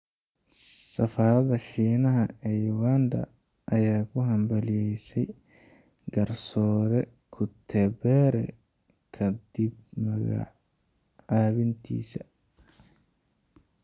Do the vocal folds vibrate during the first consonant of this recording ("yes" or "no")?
no